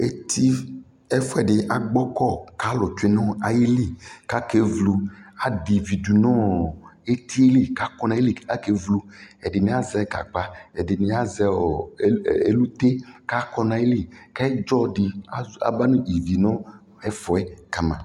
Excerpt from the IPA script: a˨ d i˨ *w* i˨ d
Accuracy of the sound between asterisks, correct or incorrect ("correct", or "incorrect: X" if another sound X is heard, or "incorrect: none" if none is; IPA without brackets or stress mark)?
incorrect: v